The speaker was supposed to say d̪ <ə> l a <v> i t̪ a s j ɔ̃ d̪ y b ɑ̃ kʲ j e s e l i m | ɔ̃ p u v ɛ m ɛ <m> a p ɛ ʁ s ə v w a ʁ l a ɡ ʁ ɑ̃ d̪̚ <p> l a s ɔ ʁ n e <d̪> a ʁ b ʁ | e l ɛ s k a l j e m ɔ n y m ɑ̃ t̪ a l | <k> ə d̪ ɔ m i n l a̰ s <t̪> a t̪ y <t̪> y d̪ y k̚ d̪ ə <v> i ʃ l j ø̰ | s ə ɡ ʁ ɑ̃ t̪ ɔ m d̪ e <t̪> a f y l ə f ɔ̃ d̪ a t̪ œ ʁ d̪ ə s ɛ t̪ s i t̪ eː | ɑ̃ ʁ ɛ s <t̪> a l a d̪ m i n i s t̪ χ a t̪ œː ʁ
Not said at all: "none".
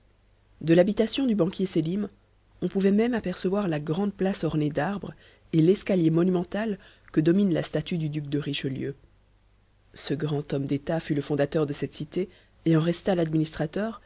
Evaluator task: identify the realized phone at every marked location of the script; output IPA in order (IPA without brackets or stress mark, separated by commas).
ə, b, m, p, d̪, k, t̪, d̪, ʁ, t̪, t̪